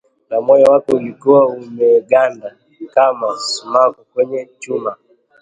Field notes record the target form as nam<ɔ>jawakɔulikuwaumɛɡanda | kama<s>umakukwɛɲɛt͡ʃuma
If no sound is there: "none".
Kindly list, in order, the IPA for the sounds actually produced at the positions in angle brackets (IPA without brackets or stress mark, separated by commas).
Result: ɔ, s